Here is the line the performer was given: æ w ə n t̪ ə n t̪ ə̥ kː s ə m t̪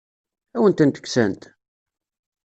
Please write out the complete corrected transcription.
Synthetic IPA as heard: æ w ə n t̪ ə n t̪ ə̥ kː s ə n t̪